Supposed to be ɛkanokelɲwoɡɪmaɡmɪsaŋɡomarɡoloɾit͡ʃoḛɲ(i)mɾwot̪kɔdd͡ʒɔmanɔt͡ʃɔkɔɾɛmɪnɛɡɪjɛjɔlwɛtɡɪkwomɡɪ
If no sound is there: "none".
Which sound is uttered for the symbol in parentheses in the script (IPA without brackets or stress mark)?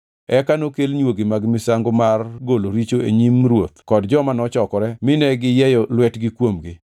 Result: i